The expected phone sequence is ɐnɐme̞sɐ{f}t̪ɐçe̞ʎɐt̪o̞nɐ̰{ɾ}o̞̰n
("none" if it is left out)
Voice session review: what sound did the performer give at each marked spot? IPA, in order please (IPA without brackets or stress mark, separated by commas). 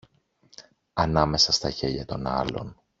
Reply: s, l